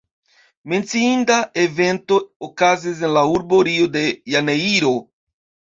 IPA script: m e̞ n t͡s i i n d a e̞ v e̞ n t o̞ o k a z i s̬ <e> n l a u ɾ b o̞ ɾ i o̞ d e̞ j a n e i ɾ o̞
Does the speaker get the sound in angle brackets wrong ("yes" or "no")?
no